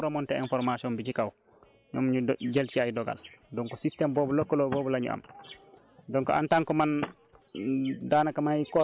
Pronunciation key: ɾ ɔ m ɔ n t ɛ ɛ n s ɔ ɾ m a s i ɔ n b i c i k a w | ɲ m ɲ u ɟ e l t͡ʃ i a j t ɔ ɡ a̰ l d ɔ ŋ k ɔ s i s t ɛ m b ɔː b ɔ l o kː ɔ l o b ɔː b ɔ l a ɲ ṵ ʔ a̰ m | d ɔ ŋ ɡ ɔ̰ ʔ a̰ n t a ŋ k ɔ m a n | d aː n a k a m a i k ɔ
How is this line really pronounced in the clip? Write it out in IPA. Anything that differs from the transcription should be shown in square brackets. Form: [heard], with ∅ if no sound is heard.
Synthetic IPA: ɾ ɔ m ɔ n t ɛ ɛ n [f] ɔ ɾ m a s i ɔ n b i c i k a w | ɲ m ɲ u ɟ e l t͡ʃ i a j [d] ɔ ɡ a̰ l d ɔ ŋ k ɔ s i s t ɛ m b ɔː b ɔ l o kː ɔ l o b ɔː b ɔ l a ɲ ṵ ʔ a̰ m | d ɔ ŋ [k] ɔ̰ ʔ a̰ n t a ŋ k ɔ m a n | d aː n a k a m a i k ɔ